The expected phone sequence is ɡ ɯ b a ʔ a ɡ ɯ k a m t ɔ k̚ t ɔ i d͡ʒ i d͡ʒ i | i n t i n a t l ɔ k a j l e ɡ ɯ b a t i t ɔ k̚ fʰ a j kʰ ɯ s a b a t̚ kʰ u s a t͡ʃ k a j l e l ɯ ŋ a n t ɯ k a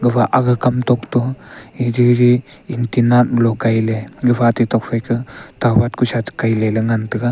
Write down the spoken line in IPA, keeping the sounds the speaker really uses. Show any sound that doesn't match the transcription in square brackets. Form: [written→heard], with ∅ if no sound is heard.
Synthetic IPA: ɡ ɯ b a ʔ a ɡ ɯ k a m t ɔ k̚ t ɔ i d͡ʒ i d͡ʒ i | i n t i n a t l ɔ k a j l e ɡ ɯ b a t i t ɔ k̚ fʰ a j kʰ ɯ [s→t] a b a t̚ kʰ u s a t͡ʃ k a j l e l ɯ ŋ a n t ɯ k a